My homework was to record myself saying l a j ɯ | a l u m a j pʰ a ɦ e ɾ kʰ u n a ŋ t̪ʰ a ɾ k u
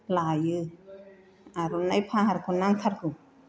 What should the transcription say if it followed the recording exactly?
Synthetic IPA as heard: l a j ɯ | a ɾ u n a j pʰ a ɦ a ɾ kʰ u n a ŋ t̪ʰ a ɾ k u